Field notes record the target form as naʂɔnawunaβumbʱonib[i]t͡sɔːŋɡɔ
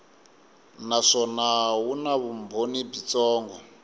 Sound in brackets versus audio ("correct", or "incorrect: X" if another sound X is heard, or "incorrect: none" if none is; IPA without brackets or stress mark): correct